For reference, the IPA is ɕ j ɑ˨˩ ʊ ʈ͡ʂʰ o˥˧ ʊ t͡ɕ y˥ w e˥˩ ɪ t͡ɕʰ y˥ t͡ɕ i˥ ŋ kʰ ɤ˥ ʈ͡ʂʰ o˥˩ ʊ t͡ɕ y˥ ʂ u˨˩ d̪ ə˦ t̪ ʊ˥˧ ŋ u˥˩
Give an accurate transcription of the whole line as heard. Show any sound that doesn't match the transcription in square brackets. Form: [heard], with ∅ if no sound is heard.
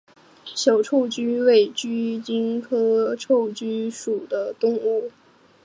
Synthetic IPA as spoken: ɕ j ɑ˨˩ ʊ ʈ͡ʂʰ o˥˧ ʊ t͡ɕ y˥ w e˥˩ ɪ [t͡ɕ] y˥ t͡ɕ i˥ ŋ kʰ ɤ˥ ʈ͡ʂʰ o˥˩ ʊ t͡ɕ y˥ ʂ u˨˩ d̪ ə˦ t̪ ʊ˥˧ ŋ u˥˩